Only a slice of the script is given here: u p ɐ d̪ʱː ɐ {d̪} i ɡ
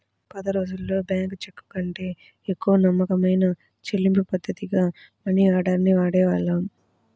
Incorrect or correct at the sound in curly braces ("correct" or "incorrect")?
incorrect